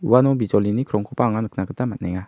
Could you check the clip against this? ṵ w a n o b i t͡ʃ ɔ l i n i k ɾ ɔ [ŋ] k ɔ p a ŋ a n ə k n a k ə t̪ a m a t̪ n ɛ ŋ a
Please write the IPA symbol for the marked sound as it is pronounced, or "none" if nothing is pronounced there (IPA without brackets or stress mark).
ŋ